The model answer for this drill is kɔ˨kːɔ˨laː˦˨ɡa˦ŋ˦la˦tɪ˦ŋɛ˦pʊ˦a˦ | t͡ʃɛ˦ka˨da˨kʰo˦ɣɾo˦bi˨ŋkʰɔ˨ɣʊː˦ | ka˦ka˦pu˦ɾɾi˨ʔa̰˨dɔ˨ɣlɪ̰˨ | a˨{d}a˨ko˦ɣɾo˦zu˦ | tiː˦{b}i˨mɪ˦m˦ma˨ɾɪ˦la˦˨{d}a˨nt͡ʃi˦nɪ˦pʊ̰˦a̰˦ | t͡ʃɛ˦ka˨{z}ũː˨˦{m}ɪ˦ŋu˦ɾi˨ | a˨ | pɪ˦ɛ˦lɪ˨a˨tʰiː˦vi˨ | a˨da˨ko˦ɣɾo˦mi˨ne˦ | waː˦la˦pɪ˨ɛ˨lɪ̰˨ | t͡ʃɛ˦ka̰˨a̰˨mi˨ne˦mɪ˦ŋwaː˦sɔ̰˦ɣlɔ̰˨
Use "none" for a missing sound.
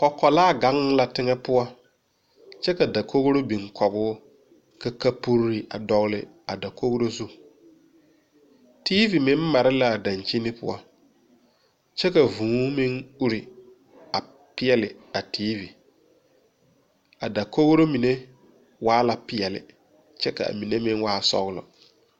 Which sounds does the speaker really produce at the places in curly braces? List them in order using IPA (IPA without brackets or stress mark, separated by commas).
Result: d, v, d, v, m